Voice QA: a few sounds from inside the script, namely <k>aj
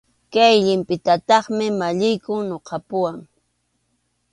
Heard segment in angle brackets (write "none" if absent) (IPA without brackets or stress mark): k